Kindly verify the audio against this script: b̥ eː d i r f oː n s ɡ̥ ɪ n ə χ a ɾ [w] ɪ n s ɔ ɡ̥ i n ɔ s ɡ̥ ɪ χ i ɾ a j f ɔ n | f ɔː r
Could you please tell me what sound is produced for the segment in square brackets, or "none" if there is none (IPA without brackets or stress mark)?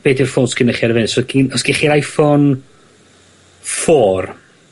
v